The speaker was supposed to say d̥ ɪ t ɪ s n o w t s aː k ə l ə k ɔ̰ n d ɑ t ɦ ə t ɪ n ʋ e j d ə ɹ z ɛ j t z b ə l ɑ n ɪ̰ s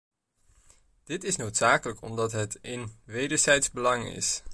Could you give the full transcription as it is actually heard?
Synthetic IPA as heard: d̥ ɪ t ɪ s n o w t s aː k ə l ə k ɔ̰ m d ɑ t ɦ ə t ɪ n ʋ e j d ə ɹ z ɛ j t z b ə l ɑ ŋ ɪ̰ s